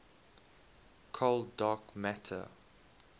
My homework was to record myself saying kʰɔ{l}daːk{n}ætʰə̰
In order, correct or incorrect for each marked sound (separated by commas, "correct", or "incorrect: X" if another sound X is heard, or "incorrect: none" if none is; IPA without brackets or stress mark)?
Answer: correct, incorrect: m